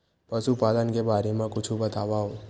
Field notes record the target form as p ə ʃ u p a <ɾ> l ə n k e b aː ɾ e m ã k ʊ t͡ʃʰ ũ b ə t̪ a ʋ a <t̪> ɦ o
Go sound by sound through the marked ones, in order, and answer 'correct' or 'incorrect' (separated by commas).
incorrect, incorrect